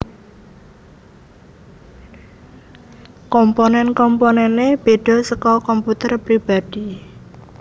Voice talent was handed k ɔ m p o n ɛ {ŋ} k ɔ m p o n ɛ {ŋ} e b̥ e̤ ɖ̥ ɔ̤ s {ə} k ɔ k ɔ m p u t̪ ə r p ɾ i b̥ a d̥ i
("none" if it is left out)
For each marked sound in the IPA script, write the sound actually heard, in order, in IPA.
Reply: n, n, ə

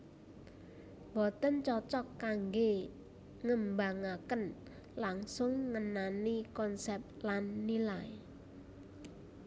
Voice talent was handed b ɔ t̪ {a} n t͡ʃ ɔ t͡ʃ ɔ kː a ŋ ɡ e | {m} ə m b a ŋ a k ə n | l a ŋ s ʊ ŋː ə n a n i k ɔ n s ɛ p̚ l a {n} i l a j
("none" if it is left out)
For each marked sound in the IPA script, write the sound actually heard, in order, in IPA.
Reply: ə, ŋ, nː

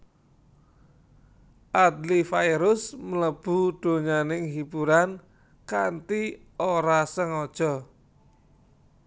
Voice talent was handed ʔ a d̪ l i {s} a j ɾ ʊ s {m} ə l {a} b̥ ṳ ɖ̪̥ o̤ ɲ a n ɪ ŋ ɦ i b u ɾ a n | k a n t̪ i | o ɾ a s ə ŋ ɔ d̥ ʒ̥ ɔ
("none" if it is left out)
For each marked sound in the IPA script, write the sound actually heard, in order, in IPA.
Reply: f, m, ə

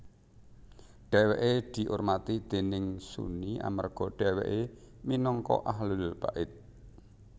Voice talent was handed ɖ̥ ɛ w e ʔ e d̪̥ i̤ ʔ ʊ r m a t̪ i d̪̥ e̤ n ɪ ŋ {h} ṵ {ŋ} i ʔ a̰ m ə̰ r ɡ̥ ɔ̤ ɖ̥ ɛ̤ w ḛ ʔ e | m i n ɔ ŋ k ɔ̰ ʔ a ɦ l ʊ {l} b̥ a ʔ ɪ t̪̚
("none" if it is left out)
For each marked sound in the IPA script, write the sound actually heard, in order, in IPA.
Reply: s, n, l

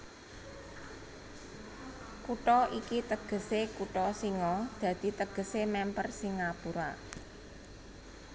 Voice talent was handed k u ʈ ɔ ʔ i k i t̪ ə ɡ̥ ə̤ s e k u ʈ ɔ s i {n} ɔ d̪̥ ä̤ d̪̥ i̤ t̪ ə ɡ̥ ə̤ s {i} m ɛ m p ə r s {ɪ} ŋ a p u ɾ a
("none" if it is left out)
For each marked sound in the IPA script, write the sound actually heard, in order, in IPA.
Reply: ŋ, e, i

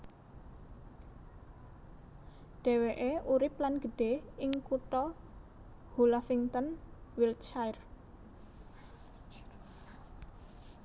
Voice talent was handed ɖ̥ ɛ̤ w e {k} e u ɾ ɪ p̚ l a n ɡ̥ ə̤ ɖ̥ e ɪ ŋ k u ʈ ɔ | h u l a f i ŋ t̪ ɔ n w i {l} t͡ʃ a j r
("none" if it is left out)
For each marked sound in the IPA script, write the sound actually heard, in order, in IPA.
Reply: ʔ, l

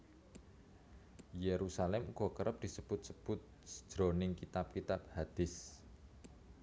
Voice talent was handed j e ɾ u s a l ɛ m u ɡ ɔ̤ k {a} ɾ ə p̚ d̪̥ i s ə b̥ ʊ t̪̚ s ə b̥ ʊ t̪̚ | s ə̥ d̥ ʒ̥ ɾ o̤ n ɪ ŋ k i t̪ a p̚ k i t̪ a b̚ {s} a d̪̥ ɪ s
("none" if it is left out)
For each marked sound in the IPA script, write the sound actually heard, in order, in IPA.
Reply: ə, h

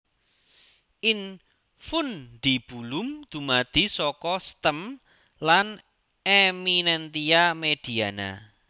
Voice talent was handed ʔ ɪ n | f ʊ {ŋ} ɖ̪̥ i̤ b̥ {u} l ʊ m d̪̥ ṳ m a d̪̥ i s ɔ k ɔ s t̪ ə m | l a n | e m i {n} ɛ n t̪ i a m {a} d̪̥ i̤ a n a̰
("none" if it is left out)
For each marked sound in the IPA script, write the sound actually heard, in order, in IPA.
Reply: n, u, n, e

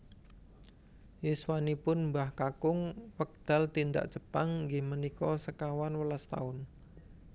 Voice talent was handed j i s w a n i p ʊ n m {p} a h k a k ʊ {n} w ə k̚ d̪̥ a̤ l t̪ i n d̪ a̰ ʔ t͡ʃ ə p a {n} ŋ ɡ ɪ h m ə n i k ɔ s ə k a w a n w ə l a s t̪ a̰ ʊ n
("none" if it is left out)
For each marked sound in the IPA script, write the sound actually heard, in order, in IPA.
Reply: b, ŋ, ŋ

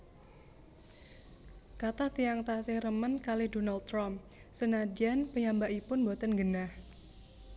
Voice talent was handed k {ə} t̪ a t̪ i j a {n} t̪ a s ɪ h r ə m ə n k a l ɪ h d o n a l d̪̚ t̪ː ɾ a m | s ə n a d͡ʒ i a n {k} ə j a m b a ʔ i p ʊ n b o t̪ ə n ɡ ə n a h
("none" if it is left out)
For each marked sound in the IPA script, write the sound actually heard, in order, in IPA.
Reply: a, ŋ, p

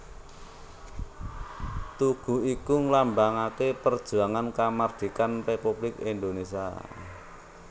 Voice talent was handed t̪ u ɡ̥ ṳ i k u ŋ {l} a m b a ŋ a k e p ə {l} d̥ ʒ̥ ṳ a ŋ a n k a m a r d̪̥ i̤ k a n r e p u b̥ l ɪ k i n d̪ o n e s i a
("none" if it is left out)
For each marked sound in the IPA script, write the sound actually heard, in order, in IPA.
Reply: l, r

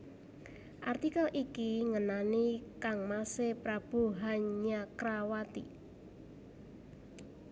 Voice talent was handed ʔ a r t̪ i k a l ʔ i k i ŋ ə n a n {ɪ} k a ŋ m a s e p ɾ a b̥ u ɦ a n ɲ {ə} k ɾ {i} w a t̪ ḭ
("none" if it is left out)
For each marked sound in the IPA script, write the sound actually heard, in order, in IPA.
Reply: i, a, a

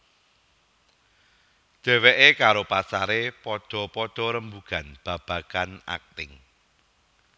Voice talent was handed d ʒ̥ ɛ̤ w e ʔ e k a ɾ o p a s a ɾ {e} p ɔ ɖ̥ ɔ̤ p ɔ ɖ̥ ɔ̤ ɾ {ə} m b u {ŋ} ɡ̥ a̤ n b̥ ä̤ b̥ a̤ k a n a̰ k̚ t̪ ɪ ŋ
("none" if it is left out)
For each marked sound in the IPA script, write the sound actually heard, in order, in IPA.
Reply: e, ə, none

